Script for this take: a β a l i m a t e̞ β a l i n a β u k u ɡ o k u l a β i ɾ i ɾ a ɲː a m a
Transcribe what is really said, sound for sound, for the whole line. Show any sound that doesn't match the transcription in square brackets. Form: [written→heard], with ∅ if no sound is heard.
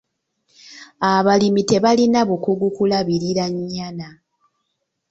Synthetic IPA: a β a l i m [a→i] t e̞ β a l i n a β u k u ɡ [o→u] k u l a β i ɾ i ɾ a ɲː a [m→n] a